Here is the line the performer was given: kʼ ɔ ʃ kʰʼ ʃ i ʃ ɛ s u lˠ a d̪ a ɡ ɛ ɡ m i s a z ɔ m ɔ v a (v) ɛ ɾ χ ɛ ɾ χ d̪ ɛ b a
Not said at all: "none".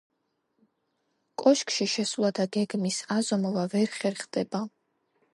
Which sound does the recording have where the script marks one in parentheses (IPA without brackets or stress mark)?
v